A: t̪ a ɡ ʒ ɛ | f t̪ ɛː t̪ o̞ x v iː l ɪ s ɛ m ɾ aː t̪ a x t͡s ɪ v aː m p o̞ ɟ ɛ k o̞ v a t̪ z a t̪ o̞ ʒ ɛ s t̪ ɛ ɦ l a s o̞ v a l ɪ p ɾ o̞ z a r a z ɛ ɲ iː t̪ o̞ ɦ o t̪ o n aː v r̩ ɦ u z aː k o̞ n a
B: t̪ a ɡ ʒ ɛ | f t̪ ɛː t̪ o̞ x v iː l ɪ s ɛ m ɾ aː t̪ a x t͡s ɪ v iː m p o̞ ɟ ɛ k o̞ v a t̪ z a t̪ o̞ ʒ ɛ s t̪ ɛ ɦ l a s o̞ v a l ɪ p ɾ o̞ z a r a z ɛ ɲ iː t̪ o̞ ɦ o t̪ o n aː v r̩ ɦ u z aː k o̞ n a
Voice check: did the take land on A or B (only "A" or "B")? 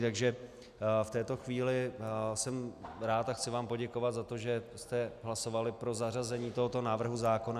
A